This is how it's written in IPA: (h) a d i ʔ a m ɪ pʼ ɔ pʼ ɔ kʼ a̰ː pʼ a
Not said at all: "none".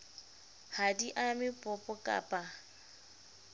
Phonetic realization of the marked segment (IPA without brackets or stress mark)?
h